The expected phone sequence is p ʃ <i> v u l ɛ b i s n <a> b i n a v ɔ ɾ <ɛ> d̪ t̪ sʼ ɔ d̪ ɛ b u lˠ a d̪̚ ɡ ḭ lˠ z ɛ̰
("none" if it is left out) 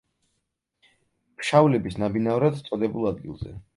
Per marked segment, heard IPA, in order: a, a, a

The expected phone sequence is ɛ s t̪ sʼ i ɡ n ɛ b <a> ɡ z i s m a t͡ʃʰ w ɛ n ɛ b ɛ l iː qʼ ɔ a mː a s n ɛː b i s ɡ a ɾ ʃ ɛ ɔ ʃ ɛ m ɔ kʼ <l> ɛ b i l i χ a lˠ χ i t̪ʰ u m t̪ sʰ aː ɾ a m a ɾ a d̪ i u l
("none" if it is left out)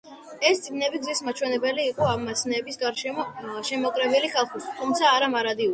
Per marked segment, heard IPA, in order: i, ɾ

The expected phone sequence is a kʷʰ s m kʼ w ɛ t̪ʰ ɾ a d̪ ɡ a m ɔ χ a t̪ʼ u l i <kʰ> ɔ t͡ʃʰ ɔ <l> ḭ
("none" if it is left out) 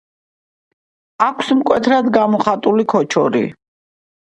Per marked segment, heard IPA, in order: kʰ, ɾ

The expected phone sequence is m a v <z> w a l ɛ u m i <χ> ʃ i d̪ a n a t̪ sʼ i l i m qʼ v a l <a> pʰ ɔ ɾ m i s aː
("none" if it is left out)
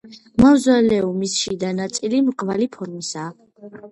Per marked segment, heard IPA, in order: z, s, i

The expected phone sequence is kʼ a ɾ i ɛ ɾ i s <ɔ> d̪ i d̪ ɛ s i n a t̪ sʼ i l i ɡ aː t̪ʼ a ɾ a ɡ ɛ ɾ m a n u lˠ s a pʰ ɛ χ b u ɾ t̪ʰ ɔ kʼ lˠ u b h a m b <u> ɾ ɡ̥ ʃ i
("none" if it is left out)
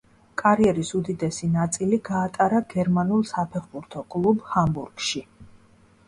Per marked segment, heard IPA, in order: u, u

